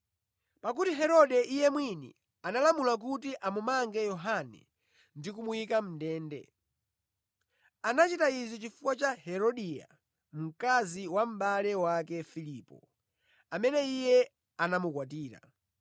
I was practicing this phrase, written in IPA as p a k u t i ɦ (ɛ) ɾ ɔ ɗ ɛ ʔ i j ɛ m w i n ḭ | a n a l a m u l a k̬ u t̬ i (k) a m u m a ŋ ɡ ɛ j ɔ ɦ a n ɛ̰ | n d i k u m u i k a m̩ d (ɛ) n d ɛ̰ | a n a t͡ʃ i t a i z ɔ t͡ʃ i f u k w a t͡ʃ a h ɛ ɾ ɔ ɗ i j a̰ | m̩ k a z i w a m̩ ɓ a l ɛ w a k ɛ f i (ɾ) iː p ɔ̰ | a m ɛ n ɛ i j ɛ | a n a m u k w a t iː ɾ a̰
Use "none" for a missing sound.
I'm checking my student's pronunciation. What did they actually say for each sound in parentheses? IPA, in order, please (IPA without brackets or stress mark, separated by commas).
ɛ, ʔ, ɛː, l